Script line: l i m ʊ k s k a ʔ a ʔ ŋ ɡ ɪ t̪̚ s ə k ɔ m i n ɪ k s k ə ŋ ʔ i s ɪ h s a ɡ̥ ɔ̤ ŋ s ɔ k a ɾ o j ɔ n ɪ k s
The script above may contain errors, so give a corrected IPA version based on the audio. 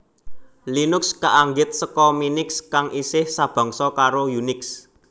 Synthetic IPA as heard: l i n ʊ k s k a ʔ a ŋ ɡ ɪ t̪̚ s ə k ɔ m i n ɪ k s k a ŋ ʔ i s ɪ h s a b̥ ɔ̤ ŋ s ɔ k a ɾ o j u n ɪ k s